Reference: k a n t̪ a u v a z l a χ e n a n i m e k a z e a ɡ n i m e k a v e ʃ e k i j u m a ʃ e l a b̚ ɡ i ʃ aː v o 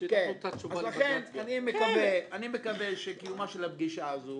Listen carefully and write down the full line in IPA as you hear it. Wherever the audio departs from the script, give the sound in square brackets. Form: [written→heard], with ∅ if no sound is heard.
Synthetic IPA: k [a→e] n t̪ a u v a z l a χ e n a n i m e k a [z→v] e a [ɡ→∅] n i m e k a v e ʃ e k i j u m a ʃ e l a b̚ ɡ i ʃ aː [v→z] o